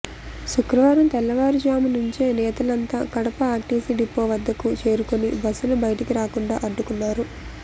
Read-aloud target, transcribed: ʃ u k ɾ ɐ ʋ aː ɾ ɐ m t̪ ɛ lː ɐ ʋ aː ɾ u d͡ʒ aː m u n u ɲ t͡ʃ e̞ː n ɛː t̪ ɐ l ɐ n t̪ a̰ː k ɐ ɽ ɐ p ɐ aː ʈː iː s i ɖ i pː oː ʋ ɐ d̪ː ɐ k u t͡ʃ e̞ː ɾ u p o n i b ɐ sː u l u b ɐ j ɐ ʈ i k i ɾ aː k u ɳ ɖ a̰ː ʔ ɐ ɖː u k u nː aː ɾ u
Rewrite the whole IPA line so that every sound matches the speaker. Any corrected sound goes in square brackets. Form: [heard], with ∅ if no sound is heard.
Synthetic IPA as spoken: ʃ u k ɾ ɐ ʋ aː ɾ ɐ m t̪ ɛ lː ɐ ʋ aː ɾ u d͡ʒ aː m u n u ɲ t͡ʃ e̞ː n ɛː t̪ ɐ l ɐ n t̪ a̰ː k ɐ ɽ ɐ p ɐ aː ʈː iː s i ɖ i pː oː ʋ ɐ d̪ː ɐ k u t͡ʃ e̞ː ɾ u [k] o n i b ɐ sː u l u b ɐ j ɐ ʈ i k i ɾ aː k u ɳ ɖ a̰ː ʔ ɐ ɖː u k u nː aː ɾ u

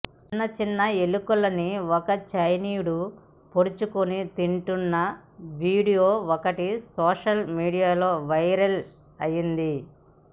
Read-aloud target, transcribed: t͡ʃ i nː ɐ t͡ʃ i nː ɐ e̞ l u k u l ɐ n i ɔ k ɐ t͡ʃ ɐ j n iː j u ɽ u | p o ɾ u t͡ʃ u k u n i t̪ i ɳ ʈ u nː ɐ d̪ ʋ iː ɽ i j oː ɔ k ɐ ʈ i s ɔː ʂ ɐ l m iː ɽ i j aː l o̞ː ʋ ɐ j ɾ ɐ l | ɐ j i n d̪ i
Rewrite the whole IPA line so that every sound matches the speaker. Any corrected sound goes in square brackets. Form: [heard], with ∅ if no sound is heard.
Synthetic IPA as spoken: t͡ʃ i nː ɐ t͡ʃ i nː ɐ e̞ l u k u l ɐ n i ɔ k ɐ t͡ʃ ɐ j n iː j u ɽ u | p o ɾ u t͡ʃ u k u n i t̪ i ɳ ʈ u nː ɐ [∅] ʋ iː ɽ i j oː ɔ k ɐ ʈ i s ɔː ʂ ɐ l m iː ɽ i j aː l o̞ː ʋ ɐ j ɾ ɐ l | ɐ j i n d̪ i

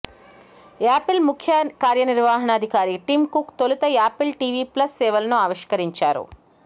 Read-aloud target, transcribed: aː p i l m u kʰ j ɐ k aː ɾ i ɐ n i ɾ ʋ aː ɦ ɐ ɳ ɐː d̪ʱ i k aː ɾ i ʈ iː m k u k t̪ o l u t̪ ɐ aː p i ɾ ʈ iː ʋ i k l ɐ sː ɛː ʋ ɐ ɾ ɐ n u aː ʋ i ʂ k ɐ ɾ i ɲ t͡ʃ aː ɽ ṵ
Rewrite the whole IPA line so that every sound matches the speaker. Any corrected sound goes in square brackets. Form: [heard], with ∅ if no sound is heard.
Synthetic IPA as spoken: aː p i l m u kʰ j ɐ k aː ɾ [j] ɐ n i ɾ ʋ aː ɦ ɐ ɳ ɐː d̪ʱ i k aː ɾ i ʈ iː m k u k t̪ o l u t̪ ɐ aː p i [l] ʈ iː ʋ i [p] l ɐ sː ɛː ʋ ɐ [l] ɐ n u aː ʋ i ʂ k ɐ ɾ i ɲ t͡ʃ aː [ɾ] ṵ

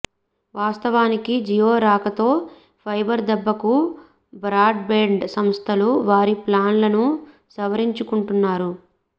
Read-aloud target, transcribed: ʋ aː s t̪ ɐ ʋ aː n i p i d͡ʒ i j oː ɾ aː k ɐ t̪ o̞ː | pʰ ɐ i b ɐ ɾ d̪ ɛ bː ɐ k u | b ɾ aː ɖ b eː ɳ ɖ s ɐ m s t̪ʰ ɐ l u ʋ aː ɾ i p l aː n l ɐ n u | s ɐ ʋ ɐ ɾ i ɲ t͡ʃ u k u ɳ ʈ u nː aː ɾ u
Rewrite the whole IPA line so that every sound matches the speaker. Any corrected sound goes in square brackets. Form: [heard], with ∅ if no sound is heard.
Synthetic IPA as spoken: ʋ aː s t̪ ɐ ʋ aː n i [k] i d͡ʒ i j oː ɾ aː k ɐ t̪ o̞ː | pʰ ɐ [j] b ɐ ɾ d̪ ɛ bː ɐ k u | b ɾ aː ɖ b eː ɳ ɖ s ɐ m s t̪ʰ ɐ l u ʋ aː ɾ i p l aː n l ɐ n u | s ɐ ʋ ɐ ɾ i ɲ t͡ʃ u k u ɳ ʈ u nː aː ɾ u

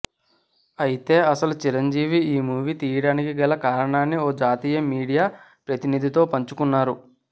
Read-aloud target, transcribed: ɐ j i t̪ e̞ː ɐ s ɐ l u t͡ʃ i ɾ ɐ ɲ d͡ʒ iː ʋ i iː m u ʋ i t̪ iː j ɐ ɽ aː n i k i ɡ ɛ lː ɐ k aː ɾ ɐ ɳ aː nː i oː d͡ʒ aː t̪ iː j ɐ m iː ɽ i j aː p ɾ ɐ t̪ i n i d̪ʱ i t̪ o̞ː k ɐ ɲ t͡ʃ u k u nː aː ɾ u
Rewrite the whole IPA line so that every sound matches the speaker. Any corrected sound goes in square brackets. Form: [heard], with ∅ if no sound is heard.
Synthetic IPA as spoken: ɐ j i t̪ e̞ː ɐ s ɐ l u t͡ʃ i ɾ ɐ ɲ d͡ʒ iː ʋ i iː m [uː] ʋ i t̪ iː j ɐ ɽ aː n i k i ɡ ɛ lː ɐ k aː ɾ ɐ ɳ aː nː i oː d͡ʒ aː t̪ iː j ɐ m iː ɽ i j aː p ɾ ɐ t̪ i n i d̪ʱ i t̪ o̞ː [p] ɐ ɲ t͡ʃ u k u nː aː ɾ u

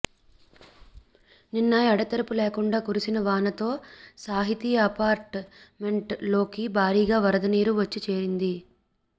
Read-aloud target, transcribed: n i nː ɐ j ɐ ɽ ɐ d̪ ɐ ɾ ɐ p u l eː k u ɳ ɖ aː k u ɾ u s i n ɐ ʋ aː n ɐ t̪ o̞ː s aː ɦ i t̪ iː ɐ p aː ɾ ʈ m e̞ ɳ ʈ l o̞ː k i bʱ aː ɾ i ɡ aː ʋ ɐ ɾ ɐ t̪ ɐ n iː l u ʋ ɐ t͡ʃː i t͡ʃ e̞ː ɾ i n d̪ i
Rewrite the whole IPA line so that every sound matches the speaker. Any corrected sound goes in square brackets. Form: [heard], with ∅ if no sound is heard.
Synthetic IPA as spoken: n i nː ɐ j ɐ ɽ ɐ [t̪] ɐ ɾ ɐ p u l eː k u ɳ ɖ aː k u ɾ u s i n ɐ ʋ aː n ɐ t̪ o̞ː s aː ɦ i t̪ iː ɐ p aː ɾ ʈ m e̞ ɳ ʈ l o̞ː k i bʱ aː ɾ [iː] ɡ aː ʋ ɐ ɾ ɐ [d̪] ɐ n iː [ɾ] u ʋ ɐ t͡ʃː i t͡ʃ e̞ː ɾ i n d̪ i

